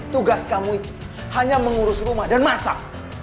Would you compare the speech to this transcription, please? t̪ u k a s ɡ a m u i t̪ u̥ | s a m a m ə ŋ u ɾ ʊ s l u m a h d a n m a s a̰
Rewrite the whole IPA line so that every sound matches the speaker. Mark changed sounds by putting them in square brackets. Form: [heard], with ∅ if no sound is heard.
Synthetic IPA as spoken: t̪ u [ɡ] a s [k] a m u i t̪ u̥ | [h] a [ɲ] a m ə ŋ u ɾ ʊ s [r] u m a h d a n m a s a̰